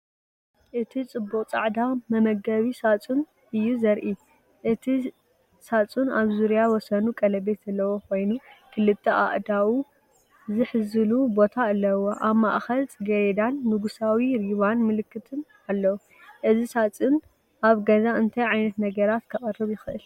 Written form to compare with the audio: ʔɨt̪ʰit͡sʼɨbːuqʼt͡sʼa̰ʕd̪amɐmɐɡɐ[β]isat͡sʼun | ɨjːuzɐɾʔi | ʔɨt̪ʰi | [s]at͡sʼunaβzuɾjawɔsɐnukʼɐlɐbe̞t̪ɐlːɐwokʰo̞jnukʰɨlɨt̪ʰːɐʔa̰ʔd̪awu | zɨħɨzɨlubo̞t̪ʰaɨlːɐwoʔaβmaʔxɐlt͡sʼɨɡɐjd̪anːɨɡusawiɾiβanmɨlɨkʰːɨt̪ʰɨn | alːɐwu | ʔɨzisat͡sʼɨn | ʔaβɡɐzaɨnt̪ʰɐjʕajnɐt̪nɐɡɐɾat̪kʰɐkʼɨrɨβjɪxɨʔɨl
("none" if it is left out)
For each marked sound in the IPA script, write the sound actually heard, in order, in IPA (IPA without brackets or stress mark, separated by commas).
β, s